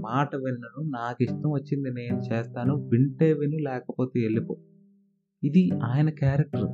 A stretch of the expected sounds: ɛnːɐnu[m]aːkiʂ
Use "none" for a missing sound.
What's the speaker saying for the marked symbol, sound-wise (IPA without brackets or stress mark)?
n